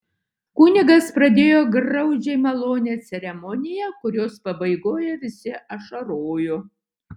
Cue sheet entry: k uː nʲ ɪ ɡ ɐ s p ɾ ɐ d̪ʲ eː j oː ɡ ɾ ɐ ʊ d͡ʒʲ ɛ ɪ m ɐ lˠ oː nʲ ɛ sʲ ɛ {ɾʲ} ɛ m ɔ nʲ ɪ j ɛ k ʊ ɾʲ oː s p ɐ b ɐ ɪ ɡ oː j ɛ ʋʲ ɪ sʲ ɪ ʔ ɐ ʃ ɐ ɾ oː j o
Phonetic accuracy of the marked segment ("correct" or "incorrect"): correct